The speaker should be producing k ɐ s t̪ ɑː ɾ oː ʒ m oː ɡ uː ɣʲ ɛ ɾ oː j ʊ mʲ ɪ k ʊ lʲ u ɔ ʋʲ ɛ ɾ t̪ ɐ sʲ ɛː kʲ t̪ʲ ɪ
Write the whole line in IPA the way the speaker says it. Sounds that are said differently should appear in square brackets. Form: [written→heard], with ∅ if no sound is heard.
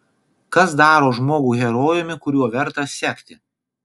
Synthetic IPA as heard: k ɐ s [t̪→d̪] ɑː ɾ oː ʒ m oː ɡ uː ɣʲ ɛ ɾ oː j ʊ mʲ ɪ k ʊ [lʲ→ɾʲ] u ɔ ʋʲ ɛ ɾ t̪ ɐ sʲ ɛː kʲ t̪ʲ ɪ